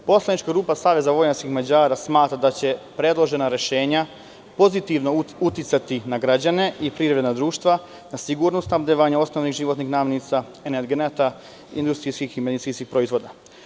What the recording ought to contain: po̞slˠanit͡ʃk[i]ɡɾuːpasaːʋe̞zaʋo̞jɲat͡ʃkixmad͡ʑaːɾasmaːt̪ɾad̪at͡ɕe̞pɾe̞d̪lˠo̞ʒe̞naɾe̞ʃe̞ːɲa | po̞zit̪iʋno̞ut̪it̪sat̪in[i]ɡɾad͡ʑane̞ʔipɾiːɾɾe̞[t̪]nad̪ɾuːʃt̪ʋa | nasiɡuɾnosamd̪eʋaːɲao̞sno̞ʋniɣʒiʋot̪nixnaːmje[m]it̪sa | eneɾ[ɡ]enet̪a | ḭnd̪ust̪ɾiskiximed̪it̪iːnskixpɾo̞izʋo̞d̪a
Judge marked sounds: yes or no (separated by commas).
no, no, no, no, yes